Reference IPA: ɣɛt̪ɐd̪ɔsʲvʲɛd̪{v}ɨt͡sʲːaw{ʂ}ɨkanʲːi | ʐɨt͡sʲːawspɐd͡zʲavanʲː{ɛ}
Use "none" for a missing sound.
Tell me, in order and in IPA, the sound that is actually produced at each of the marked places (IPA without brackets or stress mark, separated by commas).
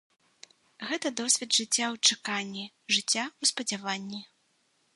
ʐ, t͡ʂ, i